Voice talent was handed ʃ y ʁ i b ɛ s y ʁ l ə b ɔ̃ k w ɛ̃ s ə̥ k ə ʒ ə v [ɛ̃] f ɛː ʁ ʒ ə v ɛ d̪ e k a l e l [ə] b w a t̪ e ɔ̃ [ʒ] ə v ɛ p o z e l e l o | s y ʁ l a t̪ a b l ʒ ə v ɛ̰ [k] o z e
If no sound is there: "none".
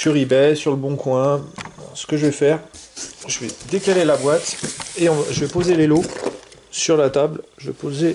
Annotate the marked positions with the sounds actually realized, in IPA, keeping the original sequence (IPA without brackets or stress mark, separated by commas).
ɛ, a, ʒ, p